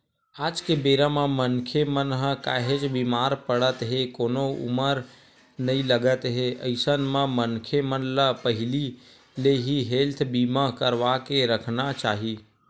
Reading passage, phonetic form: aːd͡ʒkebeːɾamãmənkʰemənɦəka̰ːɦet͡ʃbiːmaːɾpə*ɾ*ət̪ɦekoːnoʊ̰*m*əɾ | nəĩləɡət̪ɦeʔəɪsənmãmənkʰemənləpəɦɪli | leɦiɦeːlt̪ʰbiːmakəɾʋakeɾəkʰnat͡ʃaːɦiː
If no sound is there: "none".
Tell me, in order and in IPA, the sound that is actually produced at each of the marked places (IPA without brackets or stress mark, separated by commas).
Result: ɽ, m